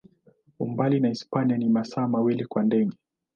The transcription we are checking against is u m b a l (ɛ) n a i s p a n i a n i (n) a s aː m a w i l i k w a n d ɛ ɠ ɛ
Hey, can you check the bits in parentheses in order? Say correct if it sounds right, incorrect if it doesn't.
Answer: incorrect: i, incorrect: m

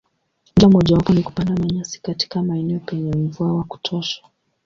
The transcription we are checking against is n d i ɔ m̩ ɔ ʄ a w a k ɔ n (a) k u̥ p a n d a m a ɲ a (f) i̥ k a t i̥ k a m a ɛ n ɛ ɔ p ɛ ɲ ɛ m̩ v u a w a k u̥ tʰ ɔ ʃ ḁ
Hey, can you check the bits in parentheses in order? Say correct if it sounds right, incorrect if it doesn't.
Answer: incorrect: i, incorrect: s

